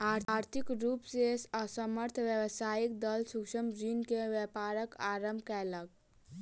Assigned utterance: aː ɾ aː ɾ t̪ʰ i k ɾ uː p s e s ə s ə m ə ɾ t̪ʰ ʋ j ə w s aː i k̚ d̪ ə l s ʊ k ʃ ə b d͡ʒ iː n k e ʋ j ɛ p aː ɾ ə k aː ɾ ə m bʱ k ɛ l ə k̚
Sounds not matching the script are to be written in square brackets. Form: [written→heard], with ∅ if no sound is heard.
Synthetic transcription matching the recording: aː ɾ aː ɾ t̪ʰ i k ɾ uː p s e s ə s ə m ə ɾ t̪ʰ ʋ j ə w s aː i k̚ d̪ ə l s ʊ k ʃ ə [b→m] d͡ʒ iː n k e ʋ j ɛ p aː ɾ ə k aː ɾ ə m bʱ k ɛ l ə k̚